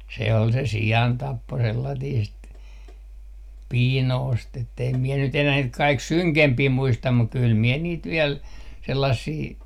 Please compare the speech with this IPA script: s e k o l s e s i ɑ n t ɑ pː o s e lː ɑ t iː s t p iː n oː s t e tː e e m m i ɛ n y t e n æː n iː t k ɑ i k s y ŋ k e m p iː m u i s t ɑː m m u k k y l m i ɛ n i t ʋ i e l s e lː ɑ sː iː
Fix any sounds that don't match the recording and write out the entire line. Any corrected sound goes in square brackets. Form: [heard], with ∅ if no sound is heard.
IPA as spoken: s e [∅] o l s e s i ɑ n t ɑ pː o s e lː ɑ t iː s t p iː n oː s t e tː e [i] m m i ɛ n y t e n æː n iː t k ɑ i k s y ŋ k e m p iː m u i s t [ɑ] m m u k k y l m i ɛ n [iː] t ʋ i e l s e lː ɑ sː iː